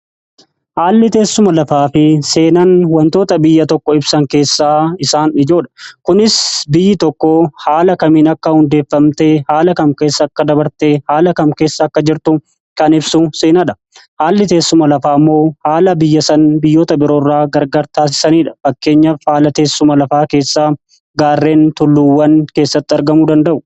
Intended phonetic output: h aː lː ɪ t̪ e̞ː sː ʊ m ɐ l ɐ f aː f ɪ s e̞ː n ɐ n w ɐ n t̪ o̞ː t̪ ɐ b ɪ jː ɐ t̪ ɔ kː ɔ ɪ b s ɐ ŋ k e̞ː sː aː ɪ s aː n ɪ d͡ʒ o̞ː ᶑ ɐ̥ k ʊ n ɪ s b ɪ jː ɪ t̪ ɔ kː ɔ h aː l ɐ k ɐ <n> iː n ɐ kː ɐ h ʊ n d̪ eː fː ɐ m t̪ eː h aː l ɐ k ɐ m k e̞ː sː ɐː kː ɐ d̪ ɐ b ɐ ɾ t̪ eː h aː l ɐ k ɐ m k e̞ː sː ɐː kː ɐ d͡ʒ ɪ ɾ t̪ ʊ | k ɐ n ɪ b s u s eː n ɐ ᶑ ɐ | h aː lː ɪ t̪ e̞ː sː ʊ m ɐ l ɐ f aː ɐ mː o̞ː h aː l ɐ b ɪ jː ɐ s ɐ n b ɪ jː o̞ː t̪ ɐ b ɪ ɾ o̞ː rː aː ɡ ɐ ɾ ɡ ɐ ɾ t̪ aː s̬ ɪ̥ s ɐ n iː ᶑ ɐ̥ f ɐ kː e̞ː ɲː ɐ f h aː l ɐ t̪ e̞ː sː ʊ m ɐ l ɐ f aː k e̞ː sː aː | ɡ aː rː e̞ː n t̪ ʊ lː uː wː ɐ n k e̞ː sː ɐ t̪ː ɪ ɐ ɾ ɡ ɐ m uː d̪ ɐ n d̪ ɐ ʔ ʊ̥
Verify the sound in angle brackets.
incorrect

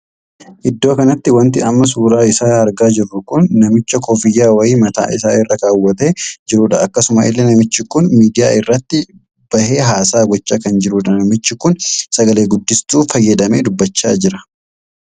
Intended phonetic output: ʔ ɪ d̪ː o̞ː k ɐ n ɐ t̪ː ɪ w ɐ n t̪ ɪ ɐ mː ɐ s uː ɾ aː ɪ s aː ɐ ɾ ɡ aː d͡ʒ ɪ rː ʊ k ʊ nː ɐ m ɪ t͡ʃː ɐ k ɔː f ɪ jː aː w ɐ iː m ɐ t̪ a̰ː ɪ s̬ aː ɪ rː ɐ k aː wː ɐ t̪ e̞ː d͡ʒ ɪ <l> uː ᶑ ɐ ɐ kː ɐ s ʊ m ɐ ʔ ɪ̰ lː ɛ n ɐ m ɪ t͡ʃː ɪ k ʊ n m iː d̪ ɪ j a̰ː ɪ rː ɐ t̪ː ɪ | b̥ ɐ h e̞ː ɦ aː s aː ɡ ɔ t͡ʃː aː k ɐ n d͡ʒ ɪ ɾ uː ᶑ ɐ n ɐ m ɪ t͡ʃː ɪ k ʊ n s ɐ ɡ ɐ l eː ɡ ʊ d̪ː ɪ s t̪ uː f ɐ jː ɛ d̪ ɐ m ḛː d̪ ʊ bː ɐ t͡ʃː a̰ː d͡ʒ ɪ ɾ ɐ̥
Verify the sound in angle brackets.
incorrect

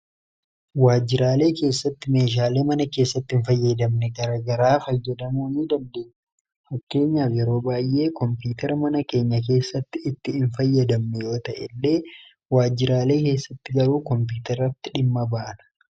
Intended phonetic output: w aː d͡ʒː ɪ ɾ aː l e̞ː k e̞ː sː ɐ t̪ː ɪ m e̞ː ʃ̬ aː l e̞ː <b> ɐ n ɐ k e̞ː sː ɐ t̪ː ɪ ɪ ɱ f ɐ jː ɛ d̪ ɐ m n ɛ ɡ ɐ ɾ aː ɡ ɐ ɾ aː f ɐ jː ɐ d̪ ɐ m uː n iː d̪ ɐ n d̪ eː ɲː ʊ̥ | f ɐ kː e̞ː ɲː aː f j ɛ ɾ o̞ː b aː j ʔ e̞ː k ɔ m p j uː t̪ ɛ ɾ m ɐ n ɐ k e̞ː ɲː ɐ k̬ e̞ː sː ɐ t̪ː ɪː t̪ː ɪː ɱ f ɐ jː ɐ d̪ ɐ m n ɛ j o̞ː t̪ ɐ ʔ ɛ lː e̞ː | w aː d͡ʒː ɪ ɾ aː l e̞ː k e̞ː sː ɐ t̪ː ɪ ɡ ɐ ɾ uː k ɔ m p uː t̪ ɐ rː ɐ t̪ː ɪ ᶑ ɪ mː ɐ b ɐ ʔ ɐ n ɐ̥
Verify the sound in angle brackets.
incorrect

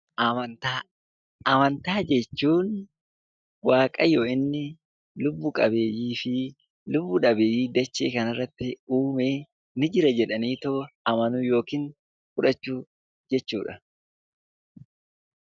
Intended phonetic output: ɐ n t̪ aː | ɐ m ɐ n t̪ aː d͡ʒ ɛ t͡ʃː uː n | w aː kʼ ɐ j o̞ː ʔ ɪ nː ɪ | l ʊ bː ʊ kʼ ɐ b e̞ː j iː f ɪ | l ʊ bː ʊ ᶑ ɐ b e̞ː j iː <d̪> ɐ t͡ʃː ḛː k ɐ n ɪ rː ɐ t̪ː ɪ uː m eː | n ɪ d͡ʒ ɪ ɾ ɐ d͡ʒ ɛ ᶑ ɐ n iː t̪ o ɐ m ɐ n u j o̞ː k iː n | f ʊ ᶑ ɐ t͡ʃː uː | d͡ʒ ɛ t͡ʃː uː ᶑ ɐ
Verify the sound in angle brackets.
correct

